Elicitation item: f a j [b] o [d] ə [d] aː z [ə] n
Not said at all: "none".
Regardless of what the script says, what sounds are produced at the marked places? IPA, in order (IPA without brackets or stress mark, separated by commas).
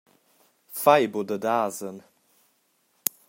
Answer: b, d, d, ə